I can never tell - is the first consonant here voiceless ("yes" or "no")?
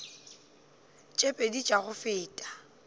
yes